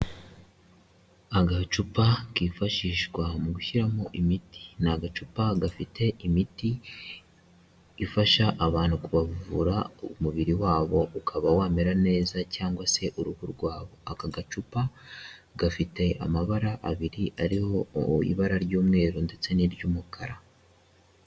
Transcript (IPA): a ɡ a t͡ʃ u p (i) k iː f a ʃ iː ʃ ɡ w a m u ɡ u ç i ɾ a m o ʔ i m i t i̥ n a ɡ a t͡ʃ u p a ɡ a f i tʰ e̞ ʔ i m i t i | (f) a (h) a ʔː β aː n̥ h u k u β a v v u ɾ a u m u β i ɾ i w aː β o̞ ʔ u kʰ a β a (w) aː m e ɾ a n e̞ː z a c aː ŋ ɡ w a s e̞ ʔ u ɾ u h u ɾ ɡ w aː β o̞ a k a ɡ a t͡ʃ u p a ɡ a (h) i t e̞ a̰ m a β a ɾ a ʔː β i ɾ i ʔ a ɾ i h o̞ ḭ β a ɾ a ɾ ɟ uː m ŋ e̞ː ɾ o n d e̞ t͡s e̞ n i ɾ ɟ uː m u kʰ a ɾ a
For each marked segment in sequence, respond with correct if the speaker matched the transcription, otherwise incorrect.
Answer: incorrect: a, correct, incorrect: ʃ, correct, incorrect: f

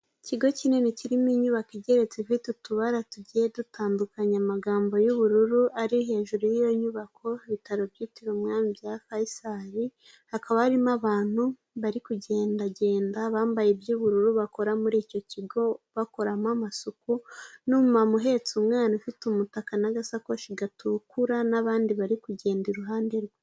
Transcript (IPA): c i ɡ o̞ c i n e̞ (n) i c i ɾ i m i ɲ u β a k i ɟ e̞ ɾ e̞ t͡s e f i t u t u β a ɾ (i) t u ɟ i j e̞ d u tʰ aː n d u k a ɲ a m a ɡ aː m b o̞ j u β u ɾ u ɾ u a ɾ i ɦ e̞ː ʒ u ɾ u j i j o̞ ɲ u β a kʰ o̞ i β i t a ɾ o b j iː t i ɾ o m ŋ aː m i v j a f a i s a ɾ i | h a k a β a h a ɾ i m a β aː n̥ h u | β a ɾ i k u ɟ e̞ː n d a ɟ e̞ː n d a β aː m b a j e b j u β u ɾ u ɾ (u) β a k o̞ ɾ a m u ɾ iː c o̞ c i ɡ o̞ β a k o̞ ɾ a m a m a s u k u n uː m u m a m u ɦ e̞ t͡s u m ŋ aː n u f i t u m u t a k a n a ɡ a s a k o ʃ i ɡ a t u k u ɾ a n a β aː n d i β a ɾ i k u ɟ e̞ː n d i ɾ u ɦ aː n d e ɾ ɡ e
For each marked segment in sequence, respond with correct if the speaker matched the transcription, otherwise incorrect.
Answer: correct, incorrect: a, correct

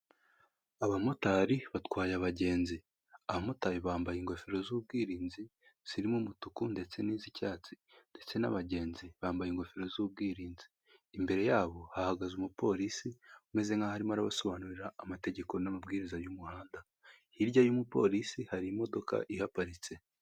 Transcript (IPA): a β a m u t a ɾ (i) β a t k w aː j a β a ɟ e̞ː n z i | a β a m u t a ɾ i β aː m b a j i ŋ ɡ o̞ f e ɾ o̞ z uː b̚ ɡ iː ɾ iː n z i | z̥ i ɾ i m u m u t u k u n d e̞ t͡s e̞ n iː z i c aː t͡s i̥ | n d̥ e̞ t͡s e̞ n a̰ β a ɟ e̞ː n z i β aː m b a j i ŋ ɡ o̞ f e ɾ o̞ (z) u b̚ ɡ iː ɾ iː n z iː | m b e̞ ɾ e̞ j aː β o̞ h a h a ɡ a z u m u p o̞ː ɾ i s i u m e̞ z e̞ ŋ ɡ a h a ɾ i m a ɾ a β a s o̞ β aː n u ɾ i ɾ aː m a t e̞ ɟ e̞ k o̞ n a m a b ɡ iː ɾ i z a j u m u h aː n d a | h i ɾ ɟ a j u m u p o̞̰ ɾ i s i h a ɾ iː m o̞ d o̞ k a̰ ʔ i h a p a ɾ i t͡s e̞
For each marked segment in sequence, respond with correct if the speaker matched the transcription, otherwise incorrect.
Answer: correct, correct

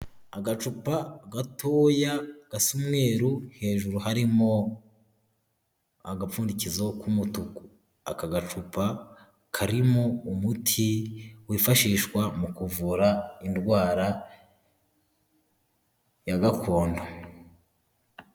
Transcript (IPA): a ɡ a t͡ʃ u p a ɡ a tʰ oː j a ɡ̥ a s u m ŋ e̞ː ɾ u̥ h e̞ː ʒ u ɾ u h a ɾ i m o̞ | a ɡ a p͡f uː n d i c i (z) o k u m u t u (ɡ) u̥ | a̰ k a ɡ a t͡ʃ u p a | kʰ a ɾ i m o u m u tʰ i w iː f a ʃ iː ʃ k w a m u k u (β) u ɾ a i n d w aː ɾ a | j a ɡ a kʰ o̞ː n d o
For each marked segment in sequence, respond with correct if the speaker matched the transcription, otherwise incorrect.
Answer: correct, incorrect: k, incorrect: v

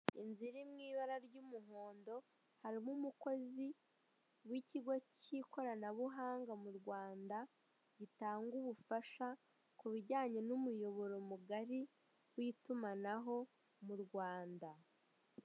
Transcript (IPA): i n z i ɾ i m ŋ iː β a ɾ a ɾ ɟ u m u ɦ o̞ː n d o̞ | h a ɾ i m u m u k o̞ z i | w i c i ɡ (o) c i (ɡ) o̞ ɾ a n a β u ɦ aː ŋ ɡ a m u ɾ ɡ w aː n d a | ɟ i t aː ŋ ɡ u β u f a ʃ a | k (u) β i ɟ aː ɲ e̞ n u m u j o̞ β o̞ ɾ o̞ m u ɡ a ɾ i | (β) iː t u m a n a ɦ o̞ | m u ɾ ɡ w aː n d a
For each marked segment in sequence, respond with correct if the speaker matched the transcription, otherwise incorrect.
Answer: correct, incorrect: k, correct, incorrect: w

